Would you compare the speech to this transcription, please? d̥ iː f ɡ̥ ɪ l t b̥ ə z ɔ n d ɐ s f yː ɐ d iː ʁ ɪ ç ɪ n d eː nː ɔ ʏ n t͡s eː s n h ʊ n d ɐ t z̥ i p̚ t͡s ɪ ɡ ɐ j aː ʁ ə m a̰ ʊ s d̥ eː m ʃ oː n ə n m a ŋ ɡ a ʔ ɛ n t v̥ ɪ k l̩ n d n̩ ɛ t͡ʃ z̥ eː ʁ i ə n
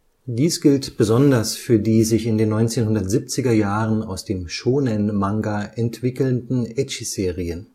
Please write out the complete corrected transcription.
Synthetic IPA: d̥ iː s ɡ̥ ɪ l t b̥ ə z ɔ n d ɐ s f yː ɐ d iː z ɪ ç ɪ n d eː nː ɔ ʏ n t͡s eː n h ʊ n d ɐ t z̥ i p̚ t͡s ɪ ɡ ɐ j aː ʁ ə n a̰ ʊ s d̥ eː m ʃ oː n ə n m a ŋ ɡ a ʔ ɛ n t v̥ ɪ k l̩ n d n̩ ɛ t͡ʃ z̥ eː ʁ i ə n